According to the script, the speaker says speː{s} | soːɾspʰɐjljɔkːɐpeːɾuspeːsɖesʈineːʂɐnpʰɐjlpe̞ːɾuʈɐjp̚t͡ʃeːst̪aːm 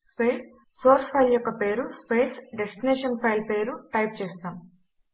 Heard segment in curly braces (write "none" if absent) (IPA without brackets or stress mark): s